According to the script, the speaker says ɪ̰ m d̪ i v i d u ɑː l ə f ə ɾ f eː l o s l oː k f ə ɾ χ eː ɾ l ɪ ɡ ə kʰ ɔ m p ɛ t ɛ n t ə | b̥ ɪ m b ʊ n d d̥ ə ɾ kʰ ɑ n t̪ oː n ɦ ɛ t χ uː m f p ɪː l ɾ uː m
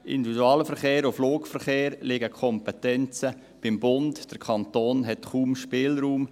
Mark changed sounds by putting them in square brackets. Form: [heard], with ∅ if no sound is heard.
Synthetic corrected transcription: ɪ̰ [n] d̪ i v i d u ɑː l ə f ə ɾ [χ] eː [ɾ] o [f] l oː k f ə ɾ χ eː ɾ l ɪ ɡ ə kʰ ɔ m p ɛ t ɛ n [t͡s] ə | b̥ ɪ m b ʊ n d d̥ ə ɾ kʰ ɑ n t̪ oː n ɦ ɛ t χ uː m [ʃ] p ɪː l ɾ uː m